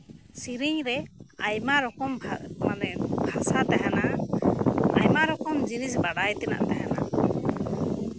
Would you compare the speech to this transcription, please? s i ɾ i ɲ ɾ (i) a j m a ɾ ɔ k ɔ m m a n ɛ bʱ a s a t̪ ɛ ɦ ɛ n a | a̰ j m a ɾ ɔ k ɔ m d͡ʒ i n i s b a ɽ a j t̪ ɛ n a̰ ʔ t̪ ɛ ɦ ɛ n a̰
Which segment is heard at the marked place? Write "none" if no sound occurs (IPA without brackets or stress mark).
ɛ